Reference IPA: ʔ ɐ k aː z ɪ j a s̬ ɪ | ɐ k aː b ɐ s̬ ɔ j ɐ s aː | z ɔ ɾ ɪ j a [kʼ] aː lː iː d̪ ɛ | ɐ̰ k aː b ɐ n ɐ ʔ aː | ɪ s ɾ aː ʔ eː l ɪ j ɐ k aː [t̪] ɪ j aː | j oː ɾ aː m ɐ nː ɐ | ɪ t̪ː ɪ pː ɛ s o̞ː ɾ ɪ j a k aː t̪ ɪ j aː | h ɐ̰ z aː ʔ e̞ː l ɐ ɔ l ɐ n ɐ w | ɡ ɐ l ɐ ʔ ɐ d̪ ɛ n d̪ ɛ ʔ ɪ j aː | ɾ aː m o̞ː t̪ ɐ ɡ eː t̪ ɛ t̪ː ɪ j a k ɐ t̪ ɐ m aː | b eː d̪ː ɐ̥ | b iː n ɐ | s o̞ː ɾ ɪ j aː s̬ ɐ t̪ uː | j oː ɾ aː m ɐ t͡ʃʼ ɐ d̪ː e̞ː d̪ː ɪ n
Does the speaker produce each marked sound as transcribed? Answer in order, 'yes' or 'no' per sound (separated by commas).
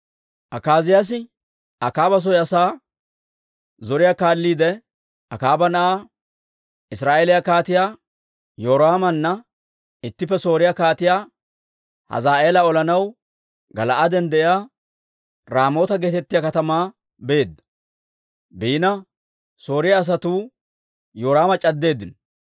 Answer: no, yes